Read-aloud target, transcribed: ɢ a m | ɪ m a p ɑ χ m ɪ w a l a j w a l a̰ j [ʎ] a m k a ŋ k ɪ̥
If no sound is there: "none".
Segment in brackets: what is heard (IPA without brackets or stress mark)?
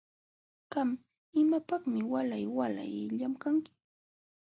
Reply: ʎ